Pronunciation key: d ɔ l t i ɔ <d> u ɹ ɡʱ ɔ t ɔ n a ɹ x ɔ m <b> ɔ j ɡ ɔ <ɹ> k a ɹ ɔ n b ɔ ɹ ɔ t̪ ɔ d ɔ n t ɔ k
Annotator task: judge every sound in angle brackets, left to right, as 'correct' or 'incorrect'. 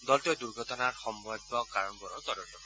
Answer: correct, correct, incorrect

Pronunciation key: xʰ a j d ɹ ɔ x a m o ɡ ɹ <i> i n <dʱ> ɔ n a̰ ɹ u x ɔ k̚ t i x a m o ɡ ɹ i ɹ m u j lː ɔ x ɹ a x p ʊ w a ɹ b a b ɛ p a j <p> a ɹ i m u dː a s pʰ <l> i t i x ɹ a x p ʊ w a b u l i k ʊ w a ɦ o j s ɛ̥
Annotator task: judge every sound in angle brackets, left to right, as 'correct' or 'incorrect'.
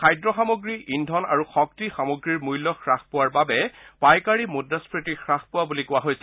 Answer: correct, correct, incorrect, incorrect

